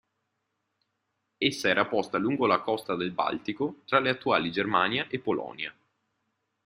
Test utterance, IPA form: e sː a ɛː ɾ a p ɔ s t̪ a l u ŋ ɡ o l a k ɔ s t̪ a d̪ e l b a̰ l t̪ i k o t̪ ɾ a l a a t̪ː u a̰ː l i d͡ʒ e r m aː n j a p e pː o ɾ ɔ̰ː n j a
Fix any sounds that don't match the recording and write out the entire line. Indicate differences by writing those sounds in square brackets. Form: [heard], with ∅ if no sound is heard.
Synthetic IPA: e sː a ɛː ɾ a p ɔ s t̪ a l u ŋ ɡ o l a k ɔ s t̪ a d̪ e l b a̰ l t̪ i k o t̪ ɾ a l [e] a t̪ː u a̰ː l i d͡ʒ e r m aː n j a [ʔ] e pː o [l] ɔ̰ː n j a